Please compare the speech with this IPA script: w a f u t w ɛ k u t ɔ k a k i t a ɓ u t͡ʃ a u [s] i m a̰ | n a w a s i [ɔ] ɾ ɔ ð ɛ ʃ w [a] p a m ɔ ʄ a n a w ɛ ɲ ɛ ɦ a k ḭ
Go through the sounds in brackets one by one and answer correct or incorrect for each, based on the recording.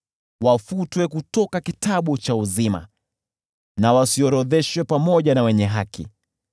incorrect, correct, incorrect

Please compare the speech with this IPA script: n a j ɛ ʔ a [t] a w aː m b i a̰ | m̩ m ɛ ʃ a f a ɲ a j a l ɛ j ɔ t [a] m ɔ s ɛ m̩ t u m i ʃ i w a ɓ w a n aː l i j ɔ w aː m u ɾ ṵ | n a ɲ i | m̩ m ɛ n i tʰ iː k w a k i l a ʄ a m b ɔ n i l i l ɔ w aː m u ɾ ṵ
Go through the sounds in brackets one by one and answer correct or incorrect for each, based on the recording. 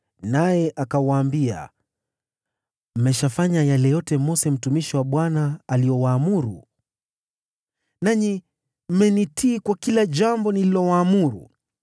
incorrect, incorrect

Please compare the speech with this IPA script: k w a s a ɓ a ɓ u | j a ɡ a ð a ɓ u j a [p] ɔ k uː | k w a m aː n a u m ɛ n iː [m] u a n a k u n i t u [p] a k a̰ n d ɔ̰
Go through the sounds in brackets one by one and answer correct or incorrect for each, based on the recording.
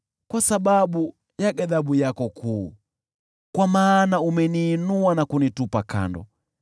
incorrect, incorrect, correct

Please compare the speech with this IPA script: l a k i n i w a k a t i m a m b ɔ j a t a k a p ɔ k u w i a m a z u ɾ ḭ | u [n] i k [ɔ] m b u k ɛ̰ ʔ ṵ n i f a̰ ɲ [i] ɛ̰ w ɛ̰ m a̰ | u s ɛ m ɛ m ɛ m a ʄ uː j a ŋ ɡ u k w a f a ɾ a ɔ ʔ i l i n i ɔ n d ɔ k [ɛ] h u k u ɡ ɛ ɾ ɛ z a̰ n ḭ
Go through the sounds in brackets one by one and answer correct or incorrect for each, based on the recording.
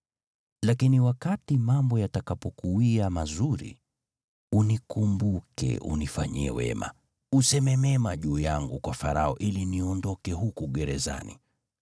correct, incorrect, correct, correct

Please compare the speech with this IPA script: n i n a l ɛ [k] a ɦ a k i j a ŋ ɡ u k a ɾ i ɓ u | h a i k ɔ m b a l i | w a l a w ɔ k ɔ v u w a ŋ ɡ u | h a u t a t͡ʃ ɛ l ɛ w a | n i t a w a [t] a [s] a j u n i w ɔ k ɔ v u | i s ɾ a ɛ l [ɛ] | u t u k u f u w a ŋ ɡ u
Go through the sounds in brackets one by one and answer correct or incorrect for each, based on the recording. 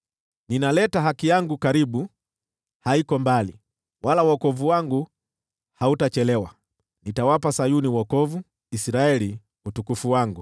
incorrect, incorrect, correct, incorrect

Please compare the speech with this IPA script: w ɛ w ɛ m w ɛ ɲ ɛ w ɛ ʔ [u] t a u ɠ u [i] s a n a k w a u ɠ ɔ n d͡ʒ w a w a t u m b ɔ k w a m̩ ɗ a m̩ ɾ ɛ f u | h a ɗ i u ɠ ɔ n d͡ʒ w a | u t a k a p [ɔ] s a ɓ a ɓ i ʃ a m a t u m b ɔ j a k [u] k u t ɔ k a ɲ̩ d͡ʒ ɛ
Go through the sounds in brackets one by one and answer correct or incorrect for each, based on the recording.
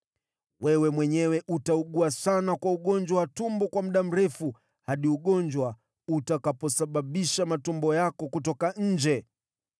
correct, incorrect, correct, incorrect

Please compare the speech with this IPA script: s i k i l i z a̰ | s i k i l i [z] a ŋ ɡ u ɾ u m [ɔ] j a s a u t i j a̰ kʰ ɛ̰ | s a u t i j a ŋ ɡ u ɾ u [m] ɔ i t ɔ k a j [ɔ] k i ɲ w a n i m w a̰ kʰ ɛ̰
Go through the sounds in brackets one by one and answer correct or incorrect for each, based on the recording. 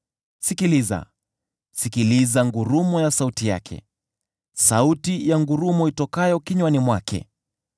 correct, correct, correct, correct

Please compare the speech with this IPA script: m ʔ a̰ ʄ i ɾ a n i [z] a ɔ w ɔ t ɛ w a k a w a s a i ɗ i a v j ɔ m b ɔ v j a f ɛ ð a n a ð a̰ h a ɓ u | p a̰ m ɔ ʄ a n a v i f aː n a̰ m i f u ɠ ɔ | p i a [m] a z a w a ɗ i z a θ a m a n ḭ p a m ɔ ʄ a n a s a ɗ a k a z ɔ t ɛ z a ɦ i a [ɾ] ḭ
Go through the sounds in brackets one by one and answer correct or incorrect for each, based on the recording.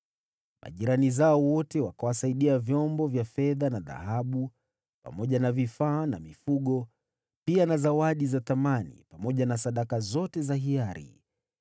correct, incorrect, correct

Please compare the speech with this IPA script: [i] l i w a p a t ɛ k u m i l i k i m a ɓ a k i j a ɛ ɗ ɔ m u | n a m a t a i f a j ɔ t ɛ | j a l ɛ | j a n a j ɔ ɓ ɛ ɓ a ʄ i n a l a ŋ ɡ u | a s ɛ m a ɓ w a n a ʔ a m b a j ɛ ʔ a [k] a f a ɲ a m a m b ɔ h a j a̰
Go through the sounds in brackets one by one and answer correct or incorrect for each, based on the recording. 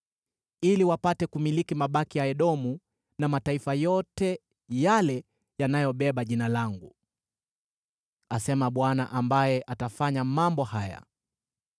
correct, incorrect

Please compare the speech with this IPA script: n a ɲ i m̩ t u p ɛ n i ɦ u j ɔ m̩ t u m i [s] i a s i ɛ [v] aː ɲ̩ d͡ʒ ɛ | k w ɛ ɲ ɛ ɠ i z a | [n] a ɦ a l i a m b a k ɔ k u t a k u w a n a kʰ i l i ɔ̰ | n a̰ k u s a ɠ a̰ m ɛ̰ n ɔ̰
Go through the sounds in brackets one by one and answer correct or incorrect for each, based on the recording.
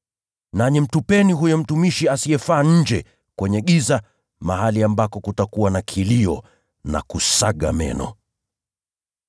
incorrect, incorrect, incorrect

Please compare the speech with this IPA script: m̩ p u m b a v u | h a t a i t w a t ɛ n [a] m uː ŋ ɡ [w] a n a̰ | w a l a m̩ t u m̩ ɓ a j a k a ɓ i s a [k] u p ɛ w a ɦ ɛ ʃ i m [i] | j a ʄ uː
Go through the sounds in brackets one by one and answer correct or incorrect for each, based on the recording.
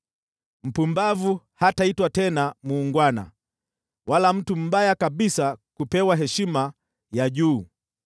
correct, correct, correct, incorrect

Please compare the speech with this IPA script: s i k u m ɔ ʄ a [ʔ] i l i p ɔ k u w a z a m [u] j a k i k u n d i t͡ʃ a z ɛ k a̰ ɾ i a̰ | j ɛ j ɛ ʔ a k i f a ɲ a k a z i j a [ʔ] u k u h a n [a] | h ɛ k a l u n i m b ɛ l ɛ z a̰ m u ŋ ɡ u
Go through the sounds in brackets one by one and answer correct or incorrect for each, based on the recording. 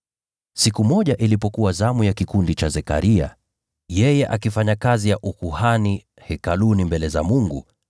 correct, correct, correct, incorrect

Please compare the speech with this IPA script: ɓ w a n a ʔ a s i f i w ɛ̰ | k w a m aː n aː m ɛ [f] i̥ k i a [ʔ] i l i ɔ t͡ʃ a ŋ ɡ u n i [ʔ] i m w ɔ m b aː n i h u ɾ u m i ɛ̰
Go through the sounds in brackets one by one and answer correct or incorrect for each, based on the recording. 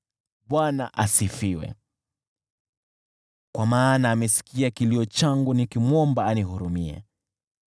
incorrect, incorrect, incorrect

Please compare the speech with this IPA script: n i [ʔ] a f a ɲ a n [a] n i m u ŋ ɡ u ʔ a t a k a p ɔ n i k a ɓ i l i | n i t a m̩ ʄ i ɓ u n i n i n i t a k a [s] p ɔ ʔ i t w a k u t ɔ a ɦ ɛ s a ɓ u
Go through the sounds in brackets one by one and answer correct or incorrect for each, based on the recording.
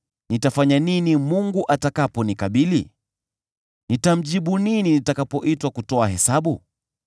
incorrect, incorrect, incorrect

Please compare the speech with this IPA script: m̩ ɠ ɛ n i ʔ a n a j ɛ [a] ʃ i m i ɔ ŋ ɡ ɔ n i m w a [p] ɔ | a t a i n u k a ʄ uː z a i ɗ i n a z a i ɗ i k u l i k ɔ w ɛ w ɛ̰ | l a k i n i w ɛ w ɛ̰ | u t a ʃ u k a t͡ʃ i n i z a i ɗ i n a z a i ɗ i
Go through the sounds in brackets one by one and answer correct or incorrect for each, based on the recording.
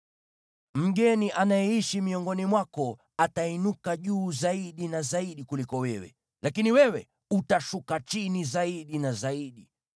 incorrect, incorrect

